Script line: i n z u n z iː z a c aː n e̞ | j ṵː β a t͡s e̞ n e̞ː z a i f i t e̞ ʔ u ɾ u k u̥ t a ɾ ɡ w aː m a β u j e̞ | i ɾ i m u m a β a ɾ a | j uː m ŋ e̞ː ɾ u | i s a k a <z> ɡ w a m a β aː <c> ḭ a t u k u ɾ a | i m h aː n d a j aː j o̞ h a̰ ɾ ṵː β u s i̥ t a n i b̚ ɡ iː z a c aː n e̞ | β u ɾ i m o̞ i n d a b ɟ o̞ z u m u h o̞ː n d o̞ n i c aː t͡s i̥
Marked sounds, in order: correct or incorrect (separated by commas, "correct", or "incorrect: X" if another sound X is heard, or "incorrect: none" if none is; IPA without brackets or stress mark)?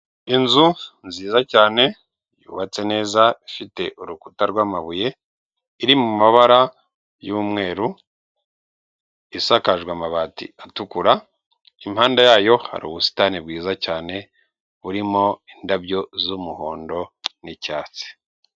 incorrect: ʒ, incorrect: t